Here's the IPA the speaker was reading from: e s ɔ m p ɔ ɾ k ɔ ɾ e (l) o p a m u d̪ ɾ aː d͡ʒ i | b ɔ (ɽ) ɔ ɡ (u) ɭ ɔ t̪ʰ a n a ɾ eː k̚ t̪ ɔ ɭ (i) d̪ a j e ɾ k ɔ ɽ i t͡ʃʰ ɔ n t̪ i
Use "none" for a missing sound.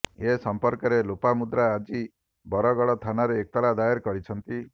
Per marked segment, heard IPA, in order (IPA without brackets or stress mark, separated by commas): l, ɾ, ɔ, a